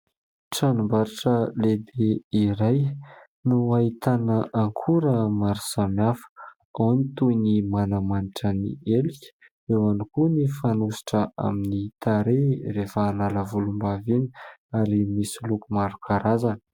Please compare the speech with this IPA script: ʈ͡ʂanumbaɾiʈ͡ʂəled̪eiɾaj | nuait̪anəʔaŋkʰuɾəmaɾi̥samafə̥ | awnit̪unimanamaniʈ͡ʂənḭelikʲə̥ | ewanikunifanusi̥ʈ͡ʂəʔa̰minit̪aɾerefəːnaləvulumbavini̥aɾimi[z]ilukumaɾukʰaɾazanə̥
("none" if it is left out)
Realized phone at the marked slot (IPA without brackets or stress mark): s